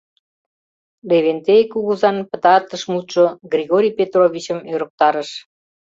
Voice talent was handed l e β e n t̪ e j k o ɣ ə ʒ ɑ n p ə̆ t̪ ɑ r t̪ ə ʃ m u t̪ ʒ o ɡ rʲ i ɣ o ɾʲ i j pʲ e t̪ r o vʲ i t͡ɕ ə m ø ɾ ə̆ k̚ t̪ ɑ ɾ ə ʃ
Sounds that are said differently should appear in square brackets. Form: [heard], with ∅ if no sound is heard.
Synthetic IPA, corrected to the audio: l e β e n t̪ e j k [u] ɣ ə [z] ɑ n p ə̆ t̪ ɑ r t̪ ə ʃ m u t̪ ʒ o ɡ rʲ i ɣ o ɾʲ i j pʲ e t̪ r o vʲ i t͡ɕ ə m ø ɾ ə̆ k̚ t̪ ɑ ɾ ə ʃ